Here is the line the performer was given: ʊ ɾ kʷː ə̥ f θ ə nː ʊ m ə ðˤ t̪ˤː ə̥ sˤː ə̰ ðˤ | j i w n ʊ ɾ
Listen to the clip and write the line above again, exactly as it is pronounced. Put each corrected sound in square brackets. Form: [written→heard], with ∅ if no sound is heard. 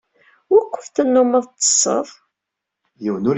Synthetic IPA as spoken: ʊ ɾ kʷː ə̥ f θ ə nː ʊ m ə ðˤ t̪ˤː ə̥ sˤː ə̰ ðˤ | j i w n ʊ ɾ